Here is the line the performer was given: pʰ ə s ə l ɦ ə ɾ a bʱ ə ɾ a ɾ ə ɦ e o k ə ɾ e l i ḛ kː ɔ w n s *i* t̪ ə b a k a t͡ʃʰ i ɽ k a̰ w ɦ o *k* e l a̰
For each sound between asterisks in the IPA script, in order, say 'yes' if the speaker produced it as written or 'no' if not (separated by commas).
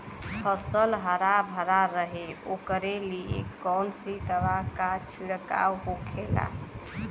yes, no